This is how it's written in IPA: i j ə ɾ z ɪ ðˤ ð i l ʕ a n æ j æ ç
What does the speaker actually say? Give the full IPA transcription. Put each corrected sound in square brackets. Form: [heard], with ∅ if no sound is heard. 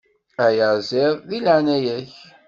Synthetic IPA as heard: [æ] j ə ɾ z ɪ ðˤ ð i l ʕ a n æ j æ ç